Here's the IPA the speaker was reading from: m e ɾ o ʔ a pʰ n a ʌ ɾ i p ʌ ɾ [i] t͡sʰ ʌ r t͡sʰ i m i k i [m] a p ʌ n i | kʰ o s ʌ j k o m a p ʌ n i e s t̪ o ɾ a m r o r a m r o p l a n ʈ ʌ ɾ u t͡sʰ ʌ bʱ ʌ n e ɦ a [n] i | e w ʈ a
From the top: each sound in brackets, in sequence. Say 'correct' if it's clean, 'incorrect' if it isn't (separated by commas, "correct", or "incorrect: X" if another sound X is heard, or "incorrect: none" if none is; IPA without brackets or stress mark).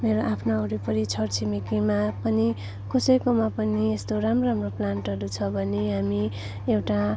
correct, correct, incorrect: m